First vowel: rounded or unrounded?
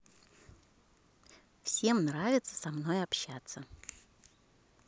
unrounded